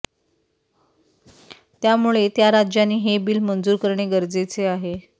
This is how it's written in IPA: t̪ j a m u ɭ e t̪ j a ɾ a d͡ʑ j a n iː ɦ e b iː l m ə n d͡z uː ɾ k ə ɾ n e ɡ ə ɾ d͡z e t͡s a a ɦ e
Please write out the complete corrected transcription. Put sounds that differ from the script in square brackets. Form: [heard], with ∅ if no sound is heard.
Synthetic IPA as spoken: t̪ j a m u ɭ e t̪ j a ɾ a d͡ʑ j a n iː ɦ e b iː l m ə n d͡z uː ɾ k ə ɾ [ɳ] e ɡ ə ɾ d͡z e t͡s [e] a ɦ e